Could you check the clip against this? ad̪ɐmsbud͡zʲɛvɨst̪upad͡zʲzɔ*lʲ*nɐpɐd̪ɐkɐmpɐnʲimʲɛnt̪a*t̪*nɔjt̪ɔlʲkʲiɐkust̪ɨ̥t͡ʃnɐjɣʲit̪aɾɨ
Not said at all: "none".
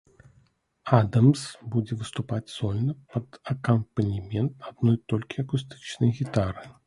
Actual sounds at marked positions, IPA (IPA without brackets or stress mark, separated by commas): lʲ, d̪